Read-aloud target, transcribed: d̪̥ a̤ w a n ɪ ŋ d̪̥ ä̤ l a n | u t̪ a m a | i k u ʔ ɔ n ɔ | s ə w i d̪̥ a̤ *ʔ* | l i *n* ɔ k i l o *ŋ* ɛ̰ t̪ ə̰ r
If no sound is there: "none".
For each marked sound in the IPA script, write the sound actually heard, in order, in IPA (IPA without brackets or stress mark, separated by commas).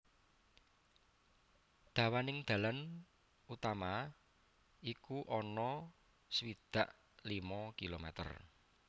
ʔ, m, m